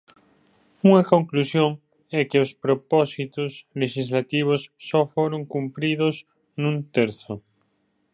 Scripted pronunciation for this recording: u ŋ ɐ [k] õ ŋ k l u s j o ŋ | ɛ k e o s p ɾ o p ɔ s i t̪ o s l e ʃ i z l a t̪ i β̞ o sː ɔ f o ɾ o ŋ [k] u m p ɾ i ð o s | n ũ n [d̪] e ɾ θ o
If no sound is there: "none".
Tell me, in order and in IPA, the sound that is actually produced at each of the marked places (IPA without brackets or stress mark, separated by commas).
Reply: k, k, t̪